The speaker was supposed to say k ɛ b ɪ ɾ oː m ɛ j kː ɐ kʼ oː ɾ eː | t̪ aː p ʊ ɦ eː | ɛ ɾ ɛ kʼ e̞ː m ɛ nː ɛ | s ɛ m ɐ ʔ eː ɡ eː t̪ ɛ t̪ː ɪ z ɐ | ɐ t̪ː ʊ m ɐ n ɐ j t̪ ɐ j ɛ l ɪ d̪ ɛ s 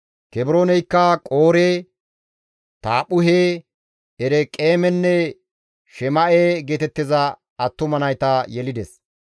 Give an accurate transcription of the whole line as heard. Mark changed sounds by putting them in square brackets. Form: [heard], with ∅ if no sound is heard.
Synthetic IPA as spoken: k ɛ b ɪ ɾ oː [n] ɛ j kː ɐ kʼ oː ɾ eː | t̪ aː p ʊ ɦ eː | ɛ ɾ ɛ kʼ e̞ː m ɛ nː ɛ | [ʃ] ɛ m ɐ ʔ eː ɡ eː t̪ ɛ t̪ː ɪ z ɐ | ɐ t̪ː ʊ m ɐ n ɐ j t̪ ɐ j ɛ l ɪ d̪ ɛ s

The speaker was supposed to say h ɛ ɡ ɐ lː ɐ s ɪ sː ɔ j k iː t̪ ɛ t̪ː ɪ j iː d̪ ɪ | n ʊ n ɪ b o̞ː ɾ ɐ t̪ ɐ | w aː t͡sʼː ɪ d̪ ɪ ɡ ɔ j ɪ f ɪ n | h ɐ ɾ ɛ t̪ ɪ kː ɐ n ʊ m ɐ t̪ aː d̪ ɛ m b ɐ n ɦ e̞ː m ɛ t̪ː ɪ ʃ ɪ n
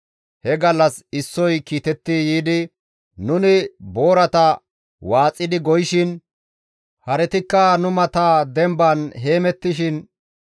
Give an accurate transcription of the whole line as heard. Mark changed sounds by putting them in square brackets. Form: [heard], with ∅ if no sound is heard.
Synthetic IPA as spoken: h ɛ ɡ ɐ lː ɐ s ɪ sː ɔ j k iː t̪ ɛ t̪ː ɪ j iː d̪ ɪ | n ʊ n ɪ b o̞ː ɾ ɐ t̪ ɐ | w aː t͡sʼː ɪ d̪ ɪ ɡ ɔ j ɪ [ʃ] ɪ n | h ɐ ɾ ɛ t̪ ɪ kː ɐ n ʊ m ɐ t̪ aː d̪ ɛ m b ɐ n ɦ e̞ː m ɛ t̪ː ɪ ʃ ɪ n

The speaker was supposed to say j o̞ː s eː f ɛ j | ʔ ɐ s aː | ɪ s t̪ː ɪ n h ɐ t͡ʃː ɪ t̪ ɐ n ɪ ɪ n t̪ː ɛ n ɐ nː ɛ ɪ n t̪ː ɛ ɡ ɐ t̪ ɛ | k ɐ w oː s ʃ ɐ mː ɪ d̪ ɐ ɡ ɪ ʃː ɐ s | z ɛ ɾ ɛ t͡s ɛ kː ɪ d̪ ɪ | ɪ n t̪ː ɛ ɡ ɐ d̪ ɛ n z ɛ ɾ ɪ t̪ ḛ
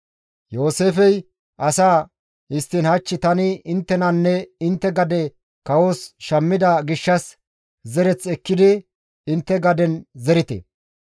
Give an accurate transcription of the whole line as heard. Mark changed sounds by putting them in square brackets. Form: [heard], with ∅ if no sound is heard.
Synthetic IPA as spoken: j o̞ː s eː f ɛ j | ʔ ɐ s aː | ɪ s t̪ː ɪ n h ɐ t͡ʃː ɪ t̪ ɐ n ɪ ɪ n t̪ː ɛ n ɐ nː ɛ ɪ n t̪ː ɛ ɡ ɐ [d̪] ɛ | k ɐ w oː s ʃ ɐ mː ɪ d̪ ɐ ɡ ɪ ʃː ɐ s | z ɛ ɾ ɛ t͡s ɛ kː ɪ d̪ ɪ | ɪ n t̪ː ɛ ɡ ɐ d̪ ɛ n z ɛ ɾ ɪ t̪ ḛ

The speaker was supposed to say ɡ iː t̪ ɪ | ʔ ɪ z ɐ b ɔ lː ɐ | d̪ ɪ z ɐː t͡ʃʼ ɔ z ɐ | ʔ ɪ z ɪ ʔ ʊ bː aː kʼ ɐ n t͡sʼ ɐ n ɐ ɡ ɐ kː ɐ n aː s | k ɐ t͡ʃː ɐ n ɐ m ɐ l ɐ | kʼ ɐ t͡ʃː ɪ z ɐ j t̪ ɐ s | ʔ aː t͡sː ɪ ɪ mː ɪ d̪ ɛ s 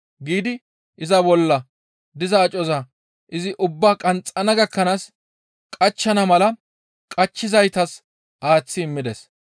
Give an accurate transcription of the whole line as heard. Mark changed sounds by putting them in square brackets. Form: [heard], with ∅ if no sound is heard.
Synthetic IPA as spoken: ɡ iː [d̪] ɪ | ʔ ɪ z ɐ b ɔ lː ɐ | d̪ ɪ z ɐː t͡ʃʼ ɔ z ɐ | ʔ ɪ z ɪ ʔ ʊ bː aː kʼ ɐ n t͡sʼ ɐ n ɐ ɡ ɐ kː ɐ n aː s | [kʼ] ɐ t͡ʃː ɐ n ɐ m ɐ l ɐ | kʼ ɐ t͡ʃː ɪ z ɐ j t̪ ɐ s | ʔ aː t͡sː ɪ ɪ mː ɪ d̪ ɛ s

